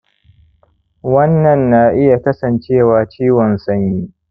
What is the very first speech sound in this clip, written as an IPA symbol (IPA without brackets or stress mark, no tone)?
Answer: w